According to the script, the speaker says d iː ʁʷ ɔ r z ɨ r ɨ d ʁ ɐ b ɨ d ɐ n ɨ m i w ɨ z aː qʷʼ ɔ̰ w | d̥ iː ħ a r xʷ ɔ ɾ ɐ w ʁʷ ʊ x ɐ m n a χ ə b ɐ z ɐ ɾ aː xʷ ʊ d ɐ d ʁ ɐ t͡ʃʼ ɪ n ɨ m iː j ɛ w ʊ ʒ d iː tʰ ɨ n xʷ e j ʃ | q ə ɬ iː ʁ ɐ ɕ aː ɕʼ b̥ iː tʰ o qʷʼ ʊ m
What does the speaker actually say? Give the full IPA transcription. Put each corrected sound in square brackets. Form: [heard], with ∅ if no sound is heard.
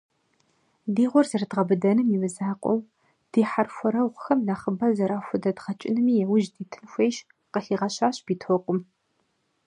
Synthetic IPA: d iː ʁʷ ɔ r z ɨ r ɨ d ʁ ɐ b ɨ d ɐ n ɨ m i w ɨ z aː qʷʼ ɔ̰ w | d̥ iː ħ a r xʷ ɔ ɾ ɐ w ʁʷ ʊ x ɐ m n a χ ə b ɐ z ɐ ɾ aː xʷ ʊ d ɐ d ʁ ɐ t͡ʃʼ ɪ n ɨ m iː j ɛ w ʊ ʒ d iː tʰ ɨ n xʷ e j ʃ | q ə ɬ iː ʁ ɐ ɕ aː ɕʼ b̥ iː tʰ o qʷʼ ʊ m